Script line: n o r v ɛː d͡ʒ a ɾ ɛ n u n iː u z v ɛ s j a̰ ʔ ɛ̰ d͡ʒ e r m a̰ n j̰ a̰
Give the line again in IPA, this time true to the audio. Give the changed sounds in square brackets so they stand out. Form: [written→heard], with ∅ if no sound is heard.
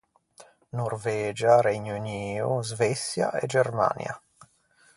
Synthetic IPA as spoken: n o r v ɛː d͡ʒ a ɾ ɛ [n→ɲ] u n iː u z v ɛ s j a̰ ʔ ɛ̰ d͡ʒ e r m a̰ n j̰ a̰